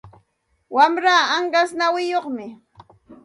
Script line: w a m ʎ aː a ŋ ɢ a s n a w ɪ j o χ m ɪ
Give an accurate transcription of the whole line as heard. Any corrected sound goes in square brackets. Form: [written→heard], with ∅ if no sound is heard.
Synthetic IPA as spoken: w a m [ʎ→ɾ] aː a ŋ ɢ a s n a w ɪ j o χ m ɪ